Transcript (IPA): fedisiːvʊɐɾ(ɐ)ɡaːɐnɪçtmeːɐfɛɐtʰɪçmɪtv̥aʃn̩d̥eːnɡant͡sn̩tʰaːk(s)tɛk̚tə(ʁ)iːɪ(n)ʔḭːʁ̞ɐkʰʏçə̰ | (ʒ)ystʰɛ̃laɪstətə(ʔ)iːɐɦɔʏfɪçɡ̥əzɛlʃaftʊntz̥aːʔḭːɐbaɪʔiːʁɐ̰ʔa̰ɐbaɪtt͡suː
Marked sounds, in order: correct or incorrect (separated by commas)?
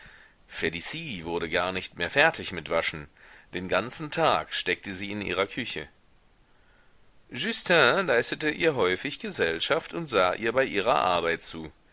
incorrect, incorrect, incorrect, correct, correct, correct